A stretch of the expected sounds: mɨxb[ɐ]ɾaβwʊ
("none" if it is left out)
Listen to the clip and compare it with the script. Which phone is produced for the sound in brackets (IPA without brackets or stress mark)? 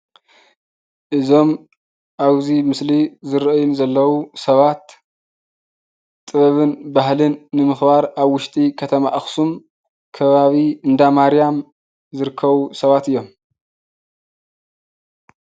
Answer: a